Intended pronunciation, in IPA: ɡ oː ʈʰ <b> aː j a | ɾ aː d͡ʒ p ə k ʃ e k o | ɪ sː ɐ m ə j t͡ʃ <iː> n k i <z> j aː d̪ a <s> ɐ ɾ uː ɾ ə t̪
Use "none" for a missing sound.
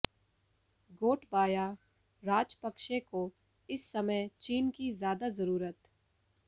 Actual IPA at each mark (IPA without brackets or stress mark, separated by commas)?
b, iː, z, z